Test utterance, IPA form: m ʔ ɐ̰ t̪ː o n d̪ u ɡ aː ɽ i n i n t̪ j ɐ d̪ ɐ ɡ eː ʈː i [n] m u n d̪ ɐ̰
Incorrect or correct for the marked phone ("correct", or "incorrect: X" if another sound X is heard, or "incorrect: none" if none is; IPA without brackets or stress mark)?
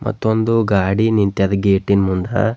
correct